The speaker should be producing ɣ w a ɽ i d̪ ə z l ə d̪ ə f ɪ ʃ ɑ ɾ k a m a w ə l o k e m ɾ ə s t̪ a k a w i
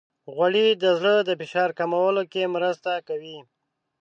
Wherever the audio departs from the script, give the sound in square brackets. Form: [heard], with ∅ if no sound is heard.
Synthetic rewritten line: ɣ w a ɽ i d̪ ə z l ə d̪ ə f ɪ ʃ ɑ ɾ k a m a w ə l o k e m ɾ ə s t̪ a k a w i